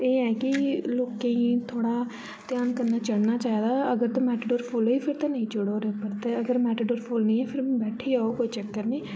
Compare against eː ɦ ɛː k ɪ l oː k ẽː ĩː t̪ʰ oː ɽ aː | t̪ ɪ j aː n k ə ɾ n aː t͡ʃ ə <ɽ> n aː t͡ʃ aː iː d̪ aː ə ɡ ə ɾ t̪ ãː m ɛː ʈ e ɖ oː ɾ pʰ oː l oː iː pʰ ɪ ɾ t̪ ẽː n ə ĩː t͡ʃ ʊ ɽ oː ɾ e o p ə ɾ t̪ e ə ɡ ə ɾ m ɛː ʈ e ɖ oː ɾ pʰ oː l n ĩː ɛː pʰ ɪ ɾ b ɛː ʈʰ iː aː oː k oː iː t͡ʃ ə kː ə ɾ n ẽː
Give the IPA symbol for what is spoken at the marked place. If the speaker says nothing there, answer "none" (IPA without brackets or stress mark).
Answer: ɽ